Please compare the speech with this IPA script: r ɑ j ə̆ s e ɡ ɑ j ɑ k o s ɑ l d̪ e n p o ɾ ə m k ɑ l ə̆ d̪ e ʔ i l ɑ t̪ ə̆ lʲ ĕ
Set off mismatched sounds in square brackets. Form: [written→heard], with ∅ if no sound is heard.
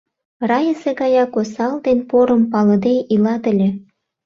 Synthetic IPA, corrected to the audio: r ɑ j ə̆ s e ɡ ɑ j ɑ k o s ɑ l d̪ e n p o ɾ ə m [k→p] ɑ l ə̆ d̪ e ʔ i l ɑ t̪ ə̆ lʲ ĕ